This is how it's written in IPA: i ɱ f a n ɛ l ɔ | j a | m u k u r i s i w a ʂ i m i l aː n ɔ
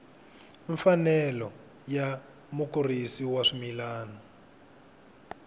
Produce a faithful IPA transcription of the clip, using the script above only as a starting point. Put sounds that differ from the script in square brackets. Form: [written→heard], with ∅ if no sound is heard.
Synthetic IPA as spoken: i ɱ f a n ɛ l ɔ | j a | m u k u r i s i w a ʂ i m i l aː n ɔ

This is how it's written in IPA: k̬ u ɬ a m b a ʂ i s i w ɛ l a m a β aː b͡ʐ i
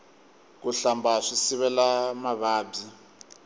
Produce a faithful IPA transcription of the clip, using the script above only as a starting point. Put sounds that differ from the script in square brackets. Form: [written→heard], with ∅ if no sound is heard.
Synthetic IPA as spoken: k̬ u ɬ a m b a ʂ i s i [w→β] ɛ l a m a β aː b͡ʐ i

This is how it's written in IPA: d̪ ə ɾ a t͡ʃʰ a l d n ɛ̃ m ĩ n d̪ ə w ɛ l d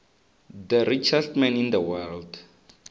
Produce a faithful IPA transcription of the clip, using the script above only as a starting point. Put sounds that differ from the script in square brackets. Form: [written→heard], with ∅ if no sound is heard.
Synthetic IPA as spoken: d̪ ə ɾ [a→i] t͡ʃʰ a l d [n→m] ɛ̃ [m→n] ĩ n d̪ ə w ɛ l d

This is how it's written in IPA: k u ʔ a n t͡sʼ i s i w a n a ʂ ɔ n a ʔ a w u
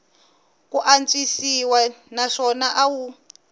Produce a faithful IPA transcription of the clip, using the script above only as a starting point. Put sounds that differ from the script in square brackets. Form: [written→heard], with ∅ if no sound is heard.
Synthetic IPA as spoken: k u ʔ a n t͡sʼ i s i w a n a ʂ ɔ n a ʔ a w u

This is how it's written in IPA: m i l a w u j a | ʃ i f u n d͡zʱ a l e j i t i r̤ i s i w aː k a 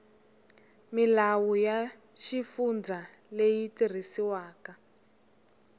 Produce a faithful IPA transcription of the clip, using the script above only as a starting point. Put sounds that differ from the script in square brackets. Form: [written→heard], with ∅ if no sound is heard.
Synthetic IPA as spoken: m i l a w u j a | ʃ i f u n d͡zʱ a l e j i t i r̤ i s i w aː k a

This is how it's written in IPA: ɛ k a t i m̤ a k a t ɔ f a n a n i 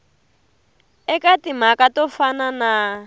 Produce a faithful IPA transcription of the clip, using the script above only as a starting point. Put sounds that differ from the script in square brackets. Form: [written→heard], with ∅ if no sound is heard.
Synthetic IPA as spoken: ɛ k a t i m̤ a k a t ɔ f a n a n [i→a]

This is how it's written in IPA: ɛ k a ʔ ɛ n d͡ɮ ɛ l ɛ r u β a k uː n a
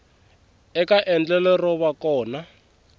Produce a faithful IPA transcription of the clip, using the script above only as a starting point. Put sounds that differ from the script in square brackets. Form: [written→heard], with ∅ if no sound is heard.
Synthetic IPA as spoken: ɛ k a ʔ ɛ n d͡ɮ ɛ l ɛ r [u→ɔ] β a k [uː→ɔː] n a

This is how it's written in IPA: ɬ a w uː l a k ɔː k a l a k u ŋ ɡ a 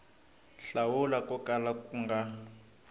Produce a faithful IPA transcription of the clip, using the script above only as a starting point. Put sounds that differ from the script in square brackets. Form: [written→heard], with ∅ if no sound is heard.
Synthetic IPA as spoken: ɬ a w [uː→u] l a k [ɔː→ɔ] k a l a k u ŋ ɡ a

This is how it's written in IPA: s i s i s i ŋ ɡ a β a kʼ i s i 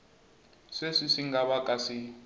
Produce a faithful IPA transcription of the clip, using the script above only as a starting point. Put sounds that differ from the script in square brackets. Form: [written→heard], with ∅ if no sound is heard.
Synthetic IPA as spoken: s [i→e] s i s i ŋ ɡ a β a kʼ [i→a] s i

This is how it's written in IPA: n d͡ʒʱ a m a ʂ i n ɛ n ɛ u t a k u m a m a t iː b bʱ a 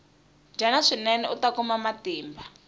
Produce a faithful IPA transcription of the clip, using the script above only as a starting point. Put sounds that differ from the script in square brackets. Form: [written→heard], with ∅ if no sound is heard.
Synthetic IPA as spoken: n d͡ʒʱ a [m→n] a ʂ i n ɛ n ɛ u t a k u m a m a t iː [b→m] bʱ a

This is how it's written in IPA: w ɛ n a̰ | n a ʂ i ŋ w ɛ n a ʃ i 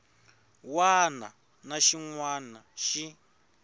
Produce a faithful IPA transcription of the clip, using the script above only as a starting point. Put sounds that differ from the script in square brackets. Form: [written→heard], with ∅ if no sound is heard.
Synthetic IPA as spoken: w [ɛ→a] n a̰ | n a [ʂ→ʃ] i ŋ w [ɛ→a] n a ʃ i

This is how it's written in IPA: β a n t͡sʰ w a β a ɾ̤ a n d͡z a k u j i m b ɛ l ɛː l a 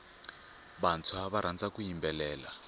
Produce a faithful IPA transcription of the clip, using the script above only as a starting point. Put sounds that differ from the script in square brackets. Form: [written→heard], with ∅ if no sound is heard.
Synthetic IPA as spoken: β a n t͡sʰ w a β a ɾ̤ a n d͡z a k u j i m b ɛ l ɛː l a

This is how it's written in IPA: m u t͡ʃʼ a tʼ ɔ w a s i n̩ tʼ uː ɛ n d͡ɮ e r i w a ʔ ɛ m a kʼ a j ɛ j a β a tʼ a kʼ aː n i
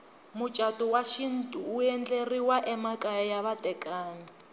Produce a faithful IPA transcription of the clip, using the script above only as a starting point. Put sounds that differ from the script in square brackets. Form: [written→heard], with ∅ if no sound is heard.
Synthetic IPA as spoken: m u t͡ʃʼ a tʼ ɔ w a [s→ʃ] i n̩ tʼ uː ɛ n d͡ɮ e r i w a ʔ ɛ m a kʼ a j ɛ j a β a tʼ [a→ɛ] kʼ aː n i

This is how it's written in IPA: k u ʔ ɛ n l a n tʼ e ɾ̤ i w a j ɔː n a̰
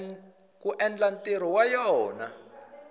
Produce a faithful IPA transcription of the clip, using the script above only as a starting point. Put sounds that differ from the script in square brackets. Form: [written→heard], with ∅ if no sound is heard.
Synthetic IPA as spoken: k u ʔ ɛ n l a n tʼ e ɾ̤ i w a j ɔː n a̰

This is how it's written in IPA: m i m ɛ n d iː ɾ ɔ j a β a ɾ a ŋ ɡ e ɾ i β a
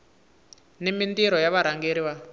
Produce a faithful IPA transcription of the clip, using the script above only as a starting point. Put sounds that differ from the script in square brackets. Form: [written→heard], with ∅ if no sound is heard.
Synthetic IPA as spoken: [m→n] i m [ɛ→i] n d [iː→i] ɾ ɔ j a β a ɾ a ŋ ɡ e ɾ i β a

